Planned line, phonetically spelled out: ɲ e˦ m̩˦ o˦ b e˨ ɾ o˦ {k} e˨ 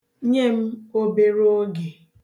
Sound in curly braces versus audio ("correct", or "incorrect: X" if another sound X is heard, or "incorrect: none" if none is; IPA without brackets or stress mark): incorrect: ɡ